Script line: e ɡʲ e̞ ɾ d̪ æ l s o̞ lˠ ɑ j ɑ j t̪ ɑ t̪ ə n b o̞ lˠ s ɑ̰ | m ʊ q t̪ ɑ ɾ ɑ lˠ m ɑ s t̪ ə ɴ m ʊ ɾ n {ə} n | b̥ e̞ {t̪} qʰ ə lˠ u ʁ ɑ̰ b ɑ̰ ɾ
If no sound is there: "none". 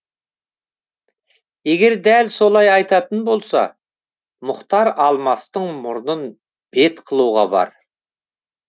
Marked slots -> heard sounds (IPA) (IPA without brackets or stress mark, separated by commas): ə, t̪